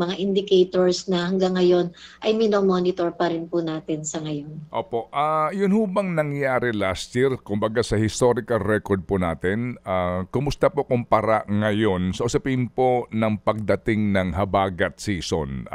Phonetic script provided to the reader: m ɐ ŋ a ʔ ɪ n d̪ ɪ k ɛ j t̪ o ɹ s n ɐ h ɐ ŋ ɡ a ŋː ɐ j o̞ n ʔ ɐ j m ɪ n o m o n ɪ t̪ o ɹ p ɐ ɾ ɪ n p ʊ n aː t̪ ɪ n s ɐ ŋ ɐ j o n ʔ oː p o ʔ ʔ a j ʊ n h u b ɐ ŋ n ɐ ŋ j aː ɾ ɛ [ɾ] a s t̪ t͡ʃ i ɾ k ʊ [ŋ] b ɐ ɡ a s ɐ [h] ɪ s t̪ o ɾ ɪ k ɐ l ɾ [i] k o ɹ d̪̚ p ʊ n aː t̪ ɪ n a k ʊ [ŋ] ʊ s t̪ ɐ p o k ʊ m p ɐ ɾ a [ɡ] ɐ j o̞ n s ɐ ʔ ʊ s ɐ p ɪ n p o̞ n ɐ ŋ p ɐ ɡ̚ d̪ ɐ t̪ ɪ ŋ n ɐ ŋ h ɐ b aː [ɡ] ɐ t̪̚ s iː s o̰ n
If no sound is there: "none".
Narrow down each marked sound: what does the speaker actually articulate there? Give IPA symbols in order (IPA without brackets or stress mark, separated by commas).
l, m, h, ɛ, m, ŋ, ɡ